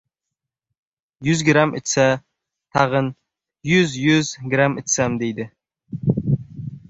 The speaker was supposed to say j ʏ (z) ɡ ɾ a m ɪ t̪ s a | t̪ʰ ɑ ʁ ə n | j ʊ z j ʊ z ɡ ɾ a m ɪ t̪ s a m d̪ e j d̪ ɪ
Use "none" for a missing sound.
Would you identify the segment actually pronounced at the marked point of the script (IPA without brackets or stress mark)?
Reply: z